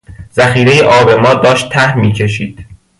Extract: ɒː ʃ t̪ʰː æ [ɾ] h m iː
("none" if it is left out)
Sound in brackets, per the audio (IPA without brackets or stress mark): none